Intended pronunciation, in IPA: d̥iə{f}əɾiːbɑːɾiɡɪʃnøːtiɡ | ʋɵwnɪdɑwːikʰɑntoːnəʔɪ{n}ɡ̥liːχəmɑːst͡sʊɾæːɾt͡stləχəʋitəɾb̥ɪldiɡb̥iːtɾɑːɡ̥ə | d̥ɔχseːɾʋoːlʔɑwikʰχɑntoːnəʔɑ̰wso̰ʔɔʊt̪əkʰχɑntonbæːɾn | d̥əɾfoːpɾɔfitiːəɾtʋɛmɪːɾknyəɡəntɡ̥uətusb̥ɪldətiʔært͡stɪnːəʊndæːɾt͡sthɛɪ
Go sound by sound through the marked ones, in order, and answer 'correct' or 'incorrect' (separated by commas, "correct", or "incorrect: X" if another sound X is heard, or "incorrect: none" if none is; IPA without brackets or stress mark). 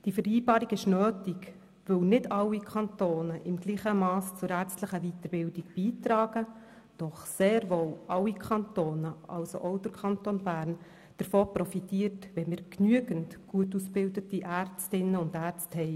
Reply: correct, incorrect: m